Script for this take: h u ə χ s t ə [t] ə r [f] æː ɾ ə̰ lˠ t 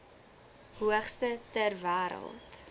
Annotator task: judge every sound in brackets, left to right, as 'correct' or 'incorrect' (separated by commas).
correct, incorrect